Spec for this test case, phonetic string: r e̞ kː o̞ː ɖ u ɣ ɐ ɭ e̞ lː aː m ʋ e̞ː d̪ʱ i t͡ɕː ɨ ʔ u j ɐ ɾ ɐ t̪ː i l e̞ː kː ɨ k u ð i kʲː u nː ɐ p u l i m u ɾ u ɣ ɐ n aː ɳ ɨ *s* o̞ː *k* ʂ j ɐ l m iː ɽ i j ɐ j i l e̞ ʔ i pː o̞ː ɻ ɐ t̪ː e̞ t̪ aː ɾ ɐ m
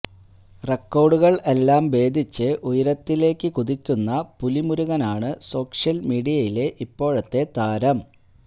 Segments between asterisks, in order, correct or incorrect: correct, correct

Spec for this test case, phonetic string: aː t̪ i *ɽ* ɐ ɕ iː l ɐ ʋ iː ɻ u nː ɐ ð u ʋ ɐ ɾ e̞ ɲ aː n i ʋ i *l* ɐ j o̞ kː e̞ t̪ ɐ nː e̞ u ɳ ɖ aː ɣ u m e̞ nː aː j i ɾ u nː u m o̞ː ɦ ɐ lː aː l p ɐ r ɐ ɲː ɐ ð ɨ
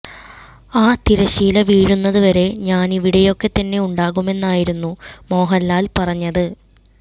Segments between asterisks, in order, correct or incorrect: incorrect: ɾ, incorrect: ɽ

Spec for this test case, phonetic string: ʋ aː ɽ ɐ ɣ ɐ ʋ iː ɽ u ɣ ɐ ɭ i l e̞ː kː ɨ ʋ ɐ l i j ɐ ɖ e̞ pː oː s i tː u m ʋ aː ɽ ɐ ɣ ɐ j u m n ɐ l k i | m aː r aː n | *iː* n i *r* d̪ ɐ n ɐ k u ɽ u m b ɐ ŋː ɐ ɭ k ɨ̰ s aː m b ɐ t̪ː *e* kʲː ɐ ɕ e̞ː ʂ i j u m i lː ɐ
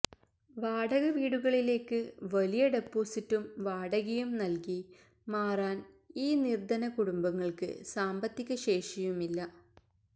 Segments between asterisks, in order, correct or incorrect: correct, correct, incorrect: i

